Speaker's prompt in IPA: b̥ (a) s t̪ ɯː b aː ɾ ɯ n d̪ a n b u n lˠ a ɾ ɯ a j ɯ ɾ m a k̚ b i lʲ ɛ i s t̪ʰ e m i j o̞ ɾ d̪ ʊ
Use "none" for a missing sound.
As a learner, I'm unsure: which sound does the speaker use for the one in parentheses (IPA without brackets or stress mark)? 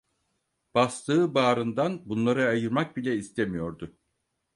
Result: a